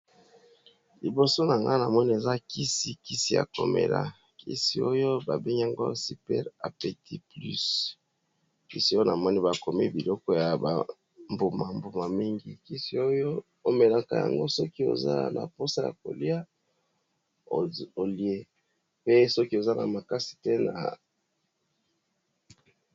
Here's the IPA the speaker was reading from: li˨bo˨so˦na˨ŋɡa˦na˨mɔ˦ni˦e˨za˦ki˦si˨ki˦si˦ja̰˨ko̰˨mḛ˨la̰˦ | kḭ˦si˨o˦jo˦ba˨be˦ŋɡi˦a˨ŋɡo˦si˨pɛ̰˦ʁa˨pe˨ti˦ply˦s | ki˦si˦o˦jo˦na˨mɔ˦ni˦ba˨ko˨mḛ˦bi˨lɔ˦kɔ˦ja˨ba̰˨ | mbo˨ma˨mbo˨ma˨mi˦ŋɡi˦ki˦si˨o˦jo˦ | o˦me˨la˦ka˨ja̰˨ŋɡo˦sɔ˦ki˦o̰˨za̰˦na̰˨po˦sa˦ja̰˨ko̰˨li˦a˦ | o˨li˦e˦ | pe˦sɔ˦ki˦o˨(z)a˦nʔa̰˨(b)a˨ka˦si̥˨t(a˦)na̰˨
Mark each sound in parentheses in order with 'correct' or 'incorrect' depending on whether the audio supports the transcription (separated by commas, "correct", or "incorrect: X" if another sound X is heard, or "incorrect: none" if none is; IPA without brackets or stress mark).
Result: correct, incorrect: m, incorrect: e˦